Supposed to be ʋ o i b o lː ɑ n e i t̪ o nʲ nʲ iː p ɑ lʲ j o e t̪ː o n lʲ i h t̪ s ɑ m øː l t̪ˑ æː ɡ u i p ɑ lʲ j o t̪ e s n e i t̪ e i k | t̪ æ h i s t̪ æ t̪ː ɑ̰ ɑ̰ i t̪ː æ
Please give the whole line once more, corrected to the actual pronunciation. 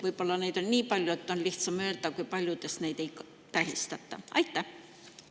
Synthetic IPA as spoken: ʋ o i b o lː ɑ n e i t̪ o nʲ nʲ iː p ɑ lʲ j o e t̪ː o n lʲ i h t̪ s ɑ m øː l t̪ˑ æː k u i p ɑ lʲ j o t̪ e s n e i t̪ e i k | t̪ æ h i s t̪ æ t̪ː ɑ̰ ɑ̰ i t̪ː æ